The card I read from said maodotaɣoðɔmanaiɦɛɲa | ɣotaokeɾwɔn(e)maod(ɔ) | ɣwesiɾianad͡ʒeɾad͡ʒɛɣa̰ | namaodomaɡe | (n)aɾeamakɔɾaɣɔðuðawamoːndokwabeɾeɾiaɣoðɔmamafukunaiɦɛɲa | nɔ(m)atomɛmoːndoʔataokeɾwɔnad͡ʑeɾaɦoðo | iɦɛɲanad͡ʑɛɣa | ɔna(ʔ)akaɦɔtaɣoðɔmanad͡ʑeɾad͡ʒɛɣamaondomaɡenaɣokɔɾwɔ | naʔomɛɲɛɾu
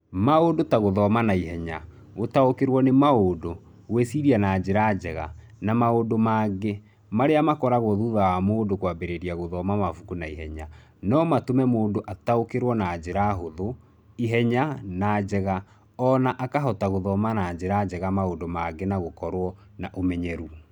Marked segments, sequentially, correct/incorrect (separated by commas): correct, incorrect, incorrect, correct, correct